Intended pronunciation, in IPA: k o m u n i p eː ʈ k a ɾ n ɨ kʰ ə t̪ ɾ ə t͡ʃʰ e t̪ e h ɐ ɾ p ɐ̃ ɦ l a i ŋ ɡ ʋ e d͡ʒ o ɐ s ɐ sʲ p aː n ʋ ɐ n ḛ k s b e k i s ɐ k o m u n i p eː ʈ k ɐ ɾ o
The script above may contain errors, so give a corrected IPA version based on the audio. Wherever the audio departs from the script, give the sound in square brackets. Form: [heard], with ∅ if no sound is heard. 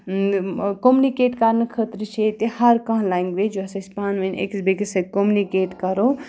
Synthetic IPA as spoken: k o m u n i [k] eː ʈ k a ɾ n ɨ kʰ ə t̪ ɾ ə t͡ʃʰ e t̪ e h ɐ ɾ [k] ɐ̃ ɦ l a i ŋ ɡ ʋ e d͡ʒ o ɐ s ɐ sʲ p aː n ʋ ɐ n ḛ k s b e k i s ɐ k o m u n i [k] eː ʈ k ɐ ɾ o